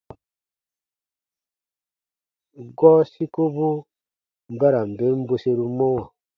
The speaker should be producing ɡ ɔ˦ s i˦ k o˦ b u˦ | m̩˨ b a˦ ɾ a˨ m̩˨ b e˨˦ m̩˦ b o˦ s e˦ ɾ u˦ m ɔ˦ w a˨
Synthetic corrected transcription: ɡ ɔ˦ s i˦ k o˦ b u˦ | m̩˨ b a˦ ɾ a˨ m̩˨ b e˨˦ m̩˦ b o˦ s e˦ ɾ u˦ m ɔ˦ w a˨